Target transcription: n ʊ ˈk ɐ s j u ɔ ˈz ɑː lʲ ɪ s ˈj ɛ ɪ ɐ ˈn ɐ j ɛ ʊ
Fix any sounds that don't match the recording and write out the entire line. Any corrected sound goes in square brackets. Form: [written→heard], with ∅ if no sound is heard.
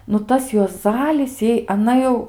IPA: n ʊ [ˈk→ˈt] ɐ s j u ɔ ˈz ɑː lʲ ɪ s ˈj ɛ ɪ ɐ ˈn ɐ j ɛ ʊ